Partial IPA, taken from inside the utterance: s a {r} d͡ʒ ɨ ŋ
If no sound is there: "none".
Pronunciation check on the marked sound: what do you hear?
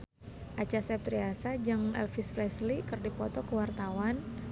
none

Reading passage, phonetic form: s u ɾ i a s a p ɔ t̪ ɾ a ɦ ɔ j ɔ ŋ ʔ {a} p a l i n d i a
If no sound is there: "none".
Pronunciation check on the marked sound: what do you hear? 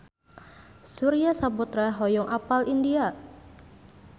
a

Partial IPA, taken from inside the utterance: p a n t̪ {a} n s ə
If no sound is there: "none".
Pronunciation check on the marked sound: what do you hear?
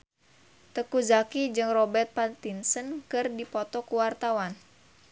i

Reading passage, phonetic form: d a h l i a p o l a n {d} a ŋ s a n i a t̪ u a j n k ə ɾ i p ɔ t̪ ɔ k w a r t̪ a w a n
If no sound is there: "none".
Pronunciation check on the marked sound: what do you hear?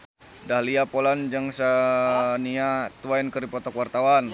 d͡ʒ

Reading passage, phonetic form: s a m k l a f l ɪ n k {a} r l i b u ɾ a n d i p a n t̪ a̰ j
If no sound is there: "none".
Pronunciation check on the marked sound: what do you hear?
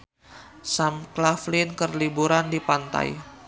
ə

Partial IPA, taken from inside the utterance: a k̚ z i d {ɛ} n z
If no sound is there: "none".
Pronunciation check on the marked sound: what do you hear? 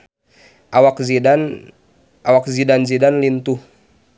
a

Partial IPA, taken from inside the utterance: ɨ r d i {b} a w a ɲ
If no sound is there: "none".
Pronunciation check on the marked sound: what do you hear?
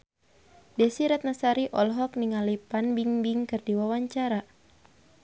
w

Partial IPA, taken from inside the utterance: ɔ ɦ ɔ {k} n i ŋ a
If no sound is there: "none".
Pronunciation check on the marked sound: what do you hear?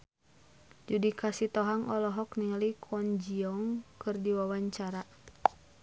k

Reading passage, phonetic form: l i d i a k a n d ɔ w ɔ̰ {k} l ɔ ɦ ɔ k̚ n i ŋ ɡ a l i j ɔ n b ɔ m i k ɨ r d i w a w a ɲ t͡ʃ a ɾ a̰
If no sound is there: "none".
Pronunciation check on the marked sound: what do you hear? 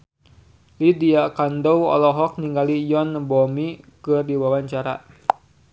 none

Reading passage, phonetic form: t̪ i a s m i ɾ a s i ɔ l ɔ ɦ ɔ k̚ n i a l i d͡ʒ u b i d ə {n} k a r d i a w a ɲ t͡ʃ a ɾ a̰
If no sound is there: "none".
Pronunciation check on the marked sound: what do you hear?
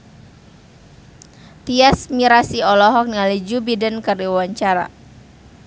n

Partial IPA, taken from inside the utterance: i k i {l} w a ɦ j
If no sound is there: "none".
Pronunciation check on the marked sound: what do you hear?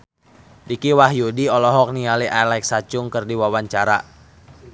none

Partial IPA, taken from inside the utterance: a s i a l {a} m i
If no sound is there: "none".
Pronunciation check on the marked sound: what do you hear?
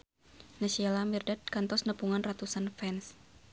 a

